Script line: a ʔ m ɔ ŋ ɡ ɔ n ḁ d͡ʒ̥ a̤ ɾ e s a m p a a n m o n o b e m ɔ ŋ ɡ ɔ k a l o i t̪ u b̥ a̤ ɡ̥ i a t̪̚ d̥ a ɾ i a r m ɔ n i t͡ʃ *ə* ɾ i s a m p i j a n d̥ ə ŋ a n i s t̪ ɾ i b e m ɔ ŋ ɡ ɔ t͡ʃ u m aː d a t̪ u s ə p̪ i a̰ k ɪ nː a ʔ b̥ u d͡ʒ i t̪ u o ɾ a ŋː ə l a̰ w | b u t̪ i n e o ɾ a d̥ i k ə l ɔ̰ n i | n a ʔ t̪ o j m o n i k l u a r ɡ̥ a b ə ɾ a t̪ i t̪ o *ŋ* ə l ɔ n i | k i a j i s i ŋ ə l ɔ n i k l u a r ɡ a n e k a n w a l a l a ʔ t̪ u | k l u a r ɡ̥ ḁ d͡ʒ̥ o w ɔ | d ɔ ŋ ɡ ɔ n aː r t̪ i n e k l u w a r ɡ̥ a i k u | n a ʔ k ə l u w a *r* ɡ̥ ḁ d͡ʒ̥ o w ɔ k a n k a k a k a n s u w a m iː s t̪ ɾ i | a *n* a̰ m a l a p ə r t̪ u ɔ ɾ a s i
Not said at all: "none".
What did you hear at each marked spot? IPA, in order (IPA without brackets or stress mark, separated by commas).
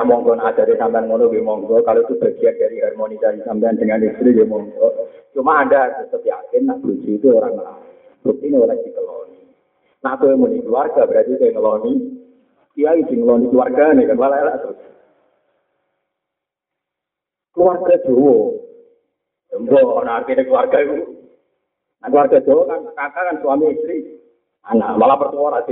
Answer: a, ŋ, r, n